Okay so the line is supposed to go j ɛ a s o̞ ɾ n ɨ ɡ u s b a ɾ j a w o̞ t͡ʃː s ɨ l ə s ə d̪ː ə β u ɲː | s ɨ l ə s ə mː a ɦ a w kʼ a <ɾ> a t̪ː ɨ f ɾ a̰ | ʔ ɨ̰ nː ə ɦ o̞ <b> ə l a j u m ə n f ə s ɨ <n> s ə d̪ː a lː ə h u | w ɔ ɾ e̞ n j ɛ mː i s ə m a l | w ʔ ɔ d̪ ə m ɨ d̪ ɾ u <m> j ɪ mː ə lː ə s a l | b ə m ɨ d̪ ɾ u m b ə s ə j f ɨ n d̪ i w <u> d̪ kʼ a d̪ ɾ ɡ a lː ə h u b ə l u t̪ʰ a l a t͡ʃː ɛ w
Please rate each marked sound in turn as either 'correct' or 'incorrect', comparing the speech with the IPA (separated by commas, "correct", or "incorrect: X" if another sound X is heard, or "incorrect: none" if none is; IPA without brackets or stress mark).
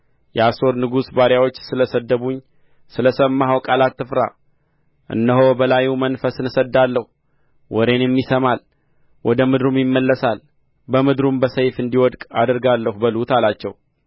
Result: incorrect: l, correct, correct, correct, incorrect: ɔ